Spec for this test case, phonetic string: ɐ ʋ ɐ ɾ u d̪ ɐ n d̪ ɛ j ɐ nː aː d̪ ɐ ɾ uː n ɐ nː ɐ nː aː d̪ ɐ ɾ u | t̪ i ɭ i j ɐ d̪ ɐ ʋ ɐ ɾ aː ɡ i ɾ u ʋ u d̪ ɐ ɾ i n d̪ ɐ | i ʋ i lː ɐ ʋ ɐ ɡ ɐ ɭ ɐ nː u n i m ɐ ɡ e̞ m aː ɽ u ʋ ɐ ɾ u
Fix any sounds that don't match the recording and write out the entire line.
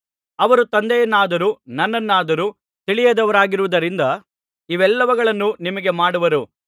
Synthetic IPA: ɐ ʋ ɐ ɾ u t̪ ɐ n d̪ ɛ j ɐ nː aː d̪ ɐ ɾ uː n ɐ nː ɐ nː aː d̪ ɐ ɾ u | t̪ i ɭ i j ɐ d̪ ɐ ʋ ɐ ɾ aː ɡ i ɾ u ʋ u d̪ ɐ ɾ i n d̪ ɐ | i ʋ ɛ lː ɐ ʋ ɐ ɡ ɐ ɭ ɐ nː u n i m ɐ ɡ e̞ m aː ɽ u ʋ ɐ ɾ u